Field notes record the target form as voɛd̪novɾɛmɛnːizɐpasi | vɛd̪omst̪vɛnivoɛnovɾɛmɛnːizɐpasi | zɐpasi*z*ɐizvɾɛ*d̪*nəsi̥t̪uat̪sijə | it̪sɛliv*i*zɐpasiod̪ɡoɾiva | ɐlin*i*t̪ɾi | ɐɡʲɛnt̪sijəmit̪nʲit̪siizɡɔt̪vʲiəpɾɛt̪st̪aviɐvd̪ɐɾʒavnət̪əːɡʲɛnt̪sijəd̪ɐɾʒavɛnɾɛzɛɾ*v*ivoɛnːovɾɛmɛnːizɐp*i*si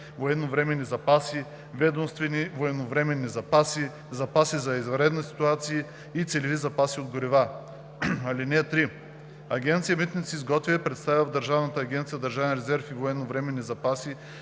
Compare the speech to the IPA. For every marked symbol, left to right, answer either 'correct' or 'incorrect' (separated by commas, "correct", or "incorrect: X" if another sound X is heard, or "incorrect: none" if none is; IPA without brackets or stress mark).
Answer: correct, correct, correct, incorrect: ɛ, incorrect: f, incorrect: a